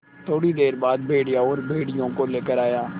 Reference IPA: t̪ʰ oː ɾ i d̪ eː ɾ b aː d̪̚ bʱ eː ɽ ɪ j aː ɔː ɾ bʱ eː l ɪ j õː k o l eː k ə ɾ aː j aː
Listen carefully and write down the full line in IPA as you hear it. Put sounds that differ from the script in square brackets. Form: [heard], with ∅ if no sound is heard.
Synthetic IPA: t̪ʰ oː [ɽ] i d̪ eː ɾ b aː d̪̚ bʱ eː ɽ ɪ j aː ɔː ɾ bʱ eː [ɽ] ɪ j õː k o l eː k ə ɾ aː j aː